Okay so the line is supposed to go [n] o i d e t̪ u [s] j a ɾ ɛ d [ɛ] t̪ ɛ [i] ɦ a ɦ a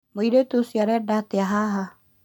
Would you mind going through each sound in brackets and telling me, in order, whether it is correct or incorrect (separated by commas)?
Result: incorrect, correct, incorrect, incorrect